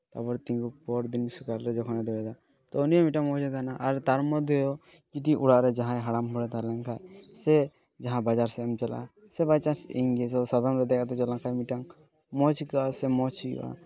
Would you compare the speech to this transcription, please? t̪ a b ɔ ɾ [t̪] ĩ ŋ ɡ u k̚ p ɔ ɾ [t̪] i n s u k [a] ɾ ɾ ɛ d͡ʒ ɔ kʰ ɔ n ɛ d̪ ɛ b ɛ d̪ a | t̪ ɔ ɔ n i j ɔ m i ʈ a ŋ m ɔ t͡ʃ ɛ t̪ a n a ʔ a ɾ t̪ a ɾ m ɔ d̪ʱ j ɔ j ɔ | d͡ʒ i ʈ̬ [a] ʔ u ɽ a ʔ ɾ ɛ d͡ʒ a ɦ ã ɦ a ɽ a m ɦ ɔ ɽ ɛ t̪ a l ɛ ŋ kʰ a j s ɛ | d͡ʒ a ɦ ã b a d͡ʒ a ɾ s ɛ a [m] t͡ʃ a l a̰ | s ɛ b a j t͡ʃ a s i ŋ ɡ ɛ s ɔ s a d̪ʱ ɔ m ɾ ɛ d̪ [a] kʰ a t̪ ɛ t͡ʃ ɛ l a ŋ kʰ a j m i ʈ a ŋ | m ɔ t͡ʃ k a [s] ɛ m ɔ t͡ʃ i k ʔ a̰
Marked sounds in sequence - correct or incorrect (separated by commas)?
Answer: correct, incorrect, correct, incorrect, correct, incorrect, correct